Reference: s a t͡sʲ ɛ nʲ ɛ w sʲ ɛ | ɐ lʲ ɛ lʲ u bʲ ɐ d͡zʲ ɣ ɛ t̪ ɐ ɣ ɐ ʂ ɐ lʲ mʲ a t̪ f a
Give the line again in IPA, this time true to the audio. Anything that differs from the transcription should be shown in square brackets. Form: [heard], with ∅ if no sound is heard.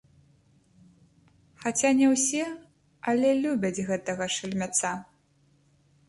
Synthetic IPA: [x] a t͡sʲ [a] nʲ ɛ w sʲ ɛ | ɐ lʲ ɛ lʲ u bʲ ɐ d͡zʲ ɣ ɛ t̪ ɐ ɣ ɐ ʂ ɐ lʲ mʲ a t̪ [s] a